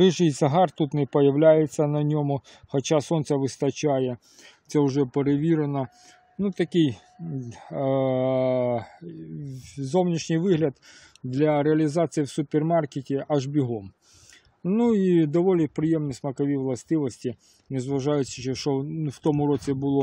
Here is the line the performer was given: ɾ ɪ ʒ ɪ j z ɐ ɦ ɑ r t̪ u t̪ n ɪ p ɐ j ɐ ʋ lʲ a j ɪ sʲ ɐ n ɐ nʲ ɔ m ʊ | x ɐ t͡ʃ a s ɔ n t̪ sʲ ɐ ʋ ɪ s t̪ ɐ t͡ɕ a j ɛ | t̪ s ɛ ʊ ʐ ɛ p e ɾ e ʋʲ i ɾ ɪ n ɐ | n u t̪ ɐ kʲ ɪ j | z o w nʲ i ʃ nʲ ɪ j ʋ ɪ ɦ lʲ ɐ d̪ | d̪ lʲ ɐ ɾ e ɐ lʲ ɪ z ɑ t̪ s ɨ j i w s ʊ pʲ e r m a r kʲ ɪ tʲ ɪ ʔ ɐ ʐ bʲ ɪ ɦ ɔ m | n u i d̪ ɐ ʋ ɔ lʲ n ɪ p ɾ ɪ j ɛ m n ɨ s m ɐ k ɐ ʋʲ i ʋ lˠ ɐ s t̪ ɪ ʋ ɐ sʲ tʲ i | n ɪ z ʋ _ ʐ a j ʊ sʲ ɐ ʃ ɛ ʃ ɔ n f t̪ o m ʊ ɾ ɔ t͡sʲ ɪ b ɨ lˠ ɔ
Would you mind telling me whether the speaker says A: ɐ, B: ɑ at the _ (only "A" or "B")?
A